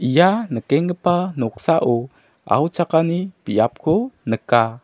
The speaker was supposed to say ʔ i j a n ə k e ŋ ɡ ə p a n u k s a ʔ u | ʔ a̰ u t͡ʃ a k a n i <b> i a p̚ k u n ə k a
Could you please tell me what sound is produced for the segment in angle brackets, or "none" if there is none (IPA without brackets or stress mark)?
p